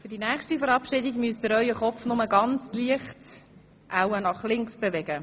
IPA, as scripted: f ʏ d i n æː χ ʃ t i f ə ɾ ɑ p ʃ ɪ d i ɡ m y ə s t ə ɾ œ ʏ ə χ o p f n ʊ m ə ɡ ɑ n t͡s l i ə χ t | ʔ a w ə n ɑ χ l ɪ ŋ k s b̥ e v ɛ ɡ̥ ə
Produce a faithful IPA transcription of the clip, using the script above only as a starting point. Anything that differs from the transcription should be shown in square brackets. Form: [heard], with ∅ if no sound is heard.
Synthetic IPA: f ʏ d i n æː χ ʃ t i f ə ɾ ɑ p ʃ ɪ d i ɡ m y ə s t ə ɾ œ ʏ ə χ [ɔ] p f n ʊ m ə ɡ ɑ n t͡s l i ə χ t | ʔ a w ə n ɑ χ l ɪ ŋ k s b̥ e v ɛ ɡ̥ ə